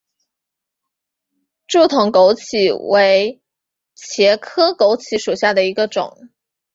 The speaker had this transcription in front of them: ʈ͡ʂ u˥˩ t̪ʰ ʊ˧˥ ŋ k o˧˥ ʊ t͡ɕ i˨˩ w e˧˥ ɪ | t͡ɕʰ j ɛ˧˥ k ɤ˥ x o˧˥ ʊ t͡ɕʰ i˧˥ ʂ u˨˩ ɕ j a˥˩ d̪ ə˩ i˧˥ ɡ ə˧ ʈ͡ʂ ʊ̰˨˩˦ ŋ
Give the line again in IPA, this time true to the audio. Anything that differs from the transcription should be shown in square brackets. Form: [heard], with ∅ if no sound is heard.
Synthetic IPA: ʈ͡ʂ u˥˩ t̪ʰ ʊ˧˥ ŋ k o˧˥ ʊ [t͡ɕʰ] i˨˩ w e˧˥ ɪ | t͡ɕʰ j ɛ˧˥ [kʰ] ɤ˥ [k] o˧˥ ʊ t͡ɕʰ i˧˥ ʂ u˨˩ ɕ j a˥˩ d̪ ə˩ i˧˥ ɡ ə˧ ʈ͡ʂ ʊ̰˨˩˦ ŋ